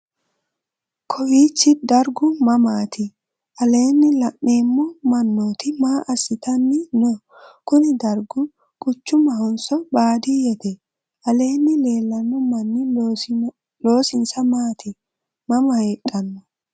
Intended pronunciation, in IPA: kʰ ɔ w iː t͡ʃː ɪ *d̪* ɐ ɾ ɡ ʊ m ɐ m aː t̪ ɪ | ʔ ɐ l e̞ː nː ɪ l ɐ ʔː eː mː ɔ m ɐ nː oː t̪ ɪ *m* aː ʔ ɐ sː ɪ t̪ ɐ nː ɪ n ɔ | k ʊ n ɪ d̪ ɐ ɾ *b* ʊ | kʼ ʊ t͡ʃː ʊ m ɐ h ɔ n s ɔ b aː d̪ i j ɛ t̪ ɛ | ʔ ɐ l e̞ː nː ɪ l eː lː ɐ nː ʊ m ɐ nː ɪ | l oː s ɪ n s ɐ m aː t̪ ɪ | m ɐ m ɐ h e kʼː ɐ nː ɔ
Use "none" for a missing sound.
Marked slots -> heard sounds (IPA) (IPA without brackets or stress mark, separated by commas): d̪, m, ɡ